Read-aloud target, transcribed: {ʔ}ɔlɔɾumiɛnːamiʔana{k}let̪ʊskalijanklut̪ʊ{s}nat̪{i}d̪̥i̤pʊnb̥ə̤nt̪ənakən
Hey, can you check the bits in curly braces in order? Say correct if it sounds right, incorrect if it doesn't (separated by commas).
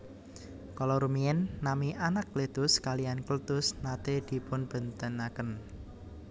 incorrect, correct, correct, incorrect